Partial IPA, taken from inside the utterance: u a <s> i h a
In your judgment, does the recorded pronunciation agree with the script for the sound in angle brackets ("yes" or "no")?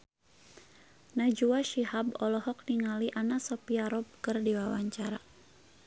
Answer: no